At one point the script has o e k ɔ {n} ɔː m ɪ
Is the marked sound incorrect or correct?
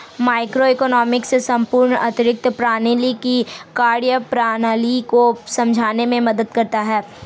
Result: correct